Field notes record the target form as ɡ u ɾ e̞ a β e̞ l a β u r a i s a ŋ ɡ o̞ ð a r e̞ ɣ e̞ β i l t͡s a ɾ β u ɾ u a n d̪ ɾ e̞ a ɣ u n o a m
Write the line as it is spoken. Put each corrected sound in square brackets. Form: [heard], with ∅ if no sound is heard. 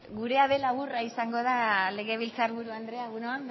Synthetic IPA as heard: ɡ u ɾ e̞ a β e̞ l a β u r a i s a ŋ ɡ o̞ ð a [l] e̞ ɣ e̞ β i l t͡s a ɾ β u ɾ u a n d̪ ɾ e̞ a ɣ u n o a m